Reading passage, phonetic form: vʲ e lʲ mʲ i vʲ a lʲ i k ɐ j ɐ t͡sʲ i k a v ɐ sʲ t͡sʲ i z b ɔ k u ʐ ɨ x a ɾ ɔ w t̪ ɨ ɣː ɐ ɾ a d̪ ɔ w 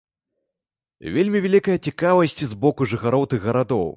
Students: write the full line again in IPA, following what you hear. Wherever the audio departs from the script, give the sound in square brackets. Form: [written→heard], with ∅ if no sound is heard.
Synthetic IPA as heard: vʲ e lʲ mʲ i vʲ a lʲ i k ɐ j ɐ t͡sʲ i k a v ɐ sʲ t͡sʲ i z b ɔ k u ʐ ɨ x a ɾ ɔ w t̪ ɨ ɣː ɐ ɾ a d̪ ɔ w